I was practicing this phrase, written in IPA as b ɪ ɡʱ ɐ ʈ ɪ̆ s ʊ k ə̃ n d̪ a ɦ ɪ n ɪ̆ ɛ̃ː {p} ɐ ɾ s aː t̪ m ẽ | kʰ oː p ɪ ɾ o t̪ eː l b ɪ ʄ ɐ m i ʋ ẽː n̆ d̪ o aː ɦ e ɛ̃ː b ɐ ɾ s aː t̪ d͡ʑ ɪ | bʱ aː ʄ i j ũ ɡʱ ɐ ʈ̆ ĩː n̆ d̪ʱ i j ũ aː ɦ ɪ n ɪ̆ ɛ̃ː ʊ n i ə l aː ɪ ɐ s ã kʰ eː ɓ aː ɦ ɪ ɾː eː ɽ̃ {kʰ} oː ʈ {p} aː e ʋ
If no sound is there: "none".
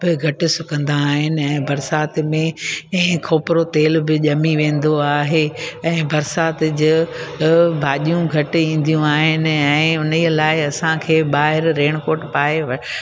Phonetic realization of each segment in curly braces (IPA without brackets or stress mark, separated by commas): b, k, p